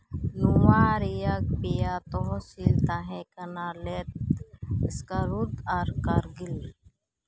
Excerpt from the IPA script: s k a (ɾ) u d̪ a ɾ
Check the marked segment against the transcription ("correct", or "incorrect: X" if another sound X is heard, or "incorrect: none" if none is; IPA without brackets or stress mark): correct